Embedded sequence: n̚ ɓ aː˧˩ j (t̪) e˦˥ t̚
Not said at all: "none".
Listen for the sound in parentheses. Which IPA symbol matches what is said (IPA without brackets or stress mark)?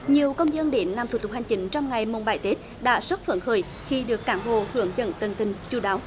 t̪